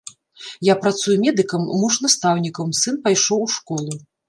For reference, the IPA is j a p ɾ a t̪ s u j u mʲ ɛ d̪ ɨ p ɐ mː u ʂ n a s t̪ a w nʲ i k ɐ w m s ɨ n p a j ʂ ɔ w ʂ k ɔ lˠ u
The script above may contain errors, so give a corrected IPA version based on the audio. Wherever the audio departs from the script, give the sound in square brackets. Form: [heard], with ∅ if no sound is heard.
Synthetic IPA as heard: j a p ɾ a t̪ s u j u mʲ ɛ d̪ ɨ [k] ɐ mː u ʂ n a s t̪ a w nʲ i k ɐ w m s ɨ n p a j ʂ ɔ w ʂ k ɔ lˠ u

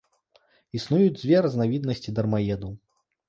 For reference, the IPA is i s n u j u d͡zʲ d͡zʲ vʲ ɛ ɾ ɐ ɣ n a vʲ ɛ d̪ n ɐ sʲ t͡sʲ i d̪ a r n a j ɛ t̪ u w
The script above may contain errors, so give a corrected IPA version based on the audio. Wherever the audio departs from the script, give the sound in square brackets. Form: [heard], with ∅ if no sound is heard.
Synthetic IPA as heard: i s n u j u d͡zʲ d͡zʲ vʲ ɛ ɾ ɐ [z] n a vʲ [i] d̪ n ɐ sʲ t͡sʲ i d̪ [ɐ] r [m] a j ɛ [d̪] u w

